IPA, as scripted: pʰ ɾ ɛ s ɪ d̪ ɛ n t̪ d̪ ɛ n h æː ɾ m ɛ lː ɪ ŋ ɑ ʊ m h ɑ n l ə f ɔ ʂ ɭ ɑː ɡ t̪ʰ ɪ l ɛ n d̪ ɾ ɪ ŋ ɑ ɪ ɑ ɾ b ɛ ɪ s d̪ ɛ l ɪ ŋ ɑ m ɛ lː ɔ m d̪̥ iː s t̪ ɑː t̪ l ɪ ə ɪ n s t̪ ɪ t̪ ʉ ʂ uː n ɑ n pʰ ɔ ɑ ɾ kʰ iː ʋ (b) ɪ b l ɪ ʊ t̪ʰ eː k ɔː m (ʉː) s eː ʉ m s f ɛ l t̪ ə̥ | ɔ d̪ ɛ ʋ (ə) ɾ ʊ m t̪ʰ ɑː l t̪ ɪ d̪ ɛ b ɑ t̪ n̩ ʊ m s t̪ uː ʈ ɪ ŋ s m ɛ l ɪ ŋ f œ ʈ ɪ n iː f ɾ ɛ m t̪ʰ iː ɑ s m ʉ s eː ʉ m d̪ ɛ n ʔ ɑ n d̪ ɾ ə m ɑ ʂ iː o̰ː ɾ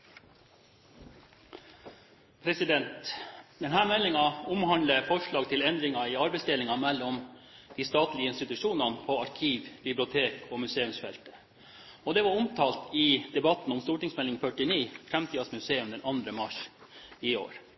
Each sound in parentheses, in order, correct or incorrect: correct, incorrect, incorrect

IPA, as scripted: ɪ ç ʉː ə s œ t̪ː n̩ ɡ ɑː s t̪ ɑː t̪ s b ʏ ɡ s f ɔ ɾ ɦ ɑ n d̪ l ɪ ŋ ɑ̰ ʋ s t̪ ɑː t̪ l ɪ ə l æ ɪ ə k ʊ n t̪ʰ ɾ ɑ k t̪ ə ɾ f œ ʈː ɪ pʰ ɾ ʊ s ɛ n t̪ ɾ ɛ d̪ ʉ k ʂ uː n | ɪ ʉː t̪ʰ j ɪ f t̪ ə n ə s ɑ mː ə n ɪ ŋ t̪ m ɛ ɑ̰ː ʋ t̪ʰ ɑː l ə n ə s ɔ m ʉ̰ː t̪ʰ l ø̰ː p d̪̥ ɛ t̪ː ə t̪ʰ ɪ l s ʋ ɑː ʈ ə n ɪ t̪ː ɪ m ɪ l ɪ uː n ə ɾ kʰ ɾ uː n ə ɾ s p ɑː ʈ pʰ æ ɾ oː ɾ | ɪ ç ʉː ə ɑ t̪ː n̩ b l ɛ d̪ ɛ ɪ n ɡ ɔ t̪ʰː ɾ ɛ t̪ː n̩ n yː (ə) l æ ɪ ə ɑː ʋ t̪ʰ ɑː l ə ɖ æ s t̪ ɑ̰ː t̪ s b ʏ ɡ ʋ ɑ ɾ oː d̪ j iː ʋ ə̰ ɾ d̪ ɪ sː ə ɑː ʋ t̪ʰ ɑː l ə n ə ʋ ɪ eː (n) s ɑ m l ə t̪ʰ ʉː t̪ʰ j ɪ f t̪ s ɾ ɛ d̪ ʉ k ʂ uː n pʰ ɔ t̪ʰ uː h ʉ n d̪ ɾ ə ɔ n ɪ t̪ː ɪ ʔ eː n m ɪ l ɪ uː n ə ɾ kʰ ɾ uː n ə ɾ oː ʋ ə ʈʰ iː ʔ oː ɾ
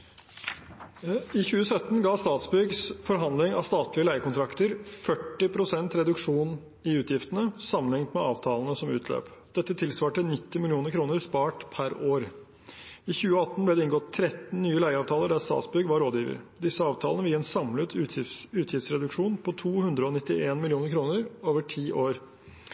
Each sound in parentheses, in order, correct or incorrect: correct, correct

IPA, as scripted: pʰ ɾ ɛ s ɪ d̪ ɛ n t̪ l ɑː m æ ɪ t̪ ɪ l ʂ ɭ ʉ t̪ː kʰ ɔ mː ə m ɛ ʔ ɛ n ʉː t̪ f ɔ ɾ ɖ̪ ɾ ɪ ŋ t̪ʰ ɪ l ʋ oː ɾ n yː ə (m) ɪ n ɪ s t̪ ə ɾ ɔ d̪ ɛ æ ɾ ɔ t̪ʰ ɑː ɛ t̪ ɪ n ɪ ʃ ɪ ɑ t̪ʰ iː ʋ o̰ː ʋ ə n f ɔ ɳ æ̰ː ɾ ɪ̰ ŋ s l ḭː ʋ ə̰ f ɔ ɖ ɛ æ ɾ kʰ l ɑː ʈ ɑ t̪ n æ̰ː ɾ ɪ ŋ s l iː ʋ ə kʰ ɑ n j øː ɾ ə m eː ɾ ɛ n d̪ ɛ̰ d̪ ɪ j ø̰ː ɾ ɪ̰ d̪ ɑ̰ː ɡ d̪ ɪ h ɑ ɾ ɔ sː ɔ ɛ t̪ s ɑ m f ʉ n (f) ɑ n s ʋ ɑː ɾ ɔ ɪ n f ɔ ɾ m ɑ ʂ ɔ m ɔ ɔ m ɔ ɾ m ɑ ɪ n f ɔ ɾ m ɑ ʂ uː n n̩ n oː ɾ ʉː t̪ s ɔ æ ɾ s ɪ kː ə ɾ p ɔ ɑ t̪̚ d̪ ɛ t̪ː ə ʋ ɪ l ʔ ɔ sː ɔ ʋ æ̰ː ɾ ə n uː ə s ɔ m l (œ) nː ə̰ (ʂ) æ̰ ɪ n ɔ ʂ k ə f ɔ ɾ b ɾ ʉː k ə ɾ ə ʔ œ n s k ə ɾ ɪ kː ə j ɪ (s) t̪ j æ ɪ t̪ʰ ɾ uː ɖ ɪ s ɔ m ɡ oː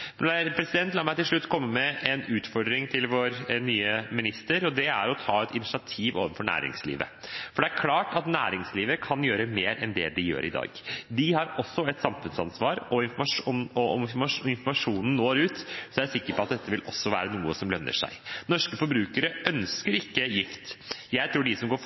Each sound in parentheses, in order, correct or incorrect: correct, incorrect, correct, correct, incorrect

